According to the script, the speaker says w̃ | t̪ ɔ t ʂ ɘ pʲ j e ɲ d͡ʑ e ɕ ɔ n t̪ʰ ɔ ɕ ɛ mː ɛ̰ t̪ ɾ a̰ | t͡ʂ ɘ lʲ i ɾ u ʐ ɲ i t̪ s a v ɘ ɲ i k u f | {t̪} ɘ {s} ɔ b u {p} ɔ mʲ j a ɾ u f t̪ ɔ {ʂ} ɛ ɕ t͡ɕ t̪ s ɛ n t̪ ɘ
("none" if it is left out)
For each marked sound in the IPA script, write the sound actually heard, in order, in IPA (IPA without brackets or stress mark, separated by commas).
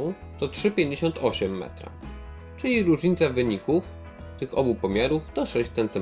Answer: t̪, x, p, ʂ